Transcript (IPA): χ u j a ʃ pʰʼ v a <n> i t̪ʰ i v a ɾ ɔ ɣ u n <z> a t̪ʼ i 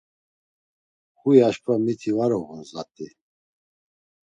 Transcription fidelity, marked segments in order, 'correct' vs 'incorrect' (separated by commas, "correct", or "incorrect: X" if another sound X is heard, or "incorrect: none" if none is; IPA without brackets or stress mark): incorrect: m, correct